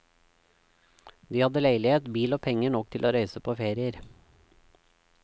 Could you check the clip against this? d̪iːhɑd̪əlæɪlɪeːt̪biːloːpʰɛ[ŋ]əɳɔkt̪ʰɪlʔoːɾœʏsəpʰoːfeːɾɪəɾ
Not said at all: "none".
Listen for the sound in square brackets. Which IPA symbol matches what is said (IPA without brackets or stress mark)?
ŋ